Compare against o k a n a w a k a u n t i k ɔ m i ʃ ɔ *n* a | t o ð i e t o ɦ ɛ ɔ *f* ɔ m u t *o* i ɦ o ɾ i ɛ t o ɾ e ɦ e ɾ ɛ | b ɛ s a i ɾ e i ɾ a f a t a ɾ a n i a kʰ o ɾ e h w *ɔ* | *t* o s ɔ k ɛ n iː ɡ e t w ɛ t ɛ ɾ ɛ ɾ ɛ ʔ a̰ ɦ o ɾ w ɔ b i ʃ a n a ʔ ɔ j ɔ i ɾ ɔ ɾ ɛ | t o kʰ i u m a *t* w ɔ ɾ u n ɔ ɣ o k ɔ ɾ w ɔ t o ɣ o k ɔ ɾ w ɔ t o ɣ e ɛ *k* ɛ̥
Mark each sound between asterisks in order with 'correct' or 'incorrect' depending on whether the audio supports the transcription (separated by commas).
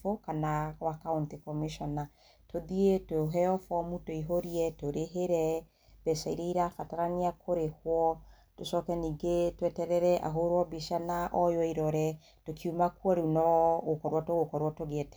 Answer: correct, correct, correct, correct, correct, incorrect, incorrect